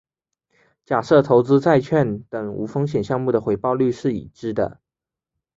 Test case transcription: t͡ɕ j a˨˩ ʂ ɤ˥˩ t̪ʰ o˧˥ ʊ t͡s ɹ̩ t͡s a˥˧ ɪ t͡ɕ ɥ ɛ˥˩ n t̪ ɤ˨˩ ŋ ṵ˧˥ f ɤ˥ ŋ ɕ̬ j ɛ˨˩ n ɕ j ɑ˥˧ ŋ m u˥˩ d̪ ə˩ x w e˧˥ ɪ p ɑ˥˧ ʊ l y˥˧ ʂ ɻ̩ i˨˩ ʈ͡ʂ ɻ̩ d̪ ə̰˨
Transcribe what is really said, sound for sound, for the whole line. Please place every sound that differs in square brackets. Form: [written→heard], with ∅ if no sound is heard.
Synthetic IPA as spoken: t͡ɕ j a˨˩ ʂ ɤ˥˩ t̪ʰ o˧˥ ʊ t͡s ɹ̩ t͡s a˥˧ ɪ [t͡ɕ→t͡ɕʰ] ɥ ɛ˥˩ n t̪ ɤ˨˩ ŋ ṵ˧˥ f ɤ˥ ŋ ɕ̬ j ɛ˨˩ n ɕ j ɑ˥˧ ŋ m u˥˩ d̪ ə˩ x w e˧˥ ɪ p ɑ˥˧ ʊ l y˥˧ ʂ ɻ̩ i˨˩ ʈ͡ʂ ɻ̩ d̪ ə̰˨